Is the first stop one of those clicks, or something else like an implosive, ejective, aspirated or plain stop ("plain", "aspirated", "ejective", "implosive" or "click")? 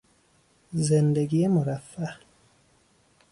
plain